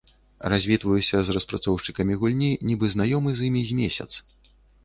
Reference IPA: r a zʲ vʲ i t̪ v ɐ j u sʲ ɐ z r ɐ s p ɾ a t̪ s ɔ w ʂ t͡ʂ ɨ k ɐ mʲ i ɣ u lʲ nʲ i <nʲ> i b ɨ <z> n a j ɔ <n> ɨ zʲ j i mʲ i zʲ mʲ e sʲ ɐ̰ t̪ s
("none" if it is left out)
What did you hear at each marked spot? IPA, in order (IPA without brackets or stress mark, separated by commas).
nʲ, z, m